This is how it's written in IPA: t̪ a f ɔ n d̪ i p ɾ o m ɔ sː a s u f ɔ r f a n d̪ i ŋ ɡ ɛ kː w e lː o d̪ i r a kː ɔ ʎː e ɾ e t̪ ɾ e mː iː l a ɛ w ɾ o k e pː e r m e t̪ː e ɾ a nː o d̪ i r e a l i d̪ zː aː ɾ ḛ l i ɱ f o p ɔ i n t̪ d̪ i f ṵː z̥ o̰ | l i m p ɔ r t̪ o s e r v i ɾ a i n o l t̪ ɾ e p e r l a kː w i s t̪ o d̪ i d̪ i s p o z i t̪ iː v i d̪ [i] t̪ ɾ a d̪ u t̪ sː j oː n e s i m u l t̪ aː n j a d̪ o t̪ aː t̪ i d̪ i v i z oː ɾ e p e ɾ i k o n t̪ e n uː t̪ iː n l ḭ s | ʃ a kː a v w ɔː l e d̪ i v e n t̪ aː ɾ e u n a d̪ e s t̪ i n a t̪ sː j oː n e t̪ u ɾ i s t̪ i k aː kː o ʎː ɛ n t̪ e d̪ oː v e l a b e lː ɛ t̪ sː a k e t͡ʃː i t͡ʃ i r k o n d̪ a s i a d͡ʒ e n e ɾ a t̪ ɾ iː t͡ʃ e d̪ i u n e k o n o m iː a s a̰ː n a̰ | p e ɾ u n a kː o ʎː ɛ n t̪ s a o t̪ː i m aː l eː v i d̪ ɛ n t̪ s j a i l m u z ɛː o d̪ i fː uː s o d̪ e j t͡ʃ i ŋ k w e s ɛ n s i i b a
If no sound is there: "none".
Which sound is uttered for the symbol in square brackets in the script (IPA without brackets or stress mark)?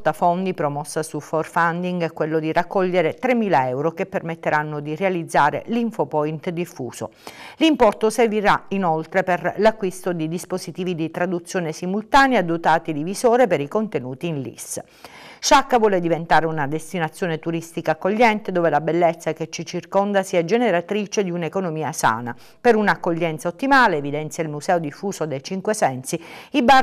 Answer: i